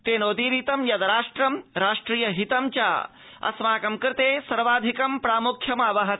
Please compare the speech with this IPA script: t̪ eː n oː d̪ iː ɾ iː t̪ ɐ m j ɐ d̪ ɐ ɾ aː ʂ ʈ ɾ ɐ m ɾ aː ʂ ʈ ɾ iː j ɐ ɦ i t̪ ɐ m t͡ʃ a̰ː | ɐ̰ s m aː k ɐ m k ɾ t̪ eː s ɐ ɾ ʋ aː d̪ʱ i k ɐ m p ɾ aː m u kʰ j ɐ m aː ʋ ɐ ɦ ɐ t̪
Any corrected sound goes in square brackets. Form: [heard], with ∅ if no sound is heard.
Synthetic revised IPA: t̪ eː n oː d̪ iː ɾ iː t̪ ɐ m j ɐ d̪ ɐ ɾ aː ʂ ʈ ɾ ɐ m ɾ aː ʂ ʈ ɾ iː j ɐ ɦ i t̪ ɐ m t͡ʃ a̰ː | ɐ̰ s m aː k ɐ m k ɾ t̪ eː s ɐ ɾ ʋ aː d̪ʱ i k ɐ m p ɾ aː m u kʰ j ɐ m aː ʋ ɐ ɦ ɐ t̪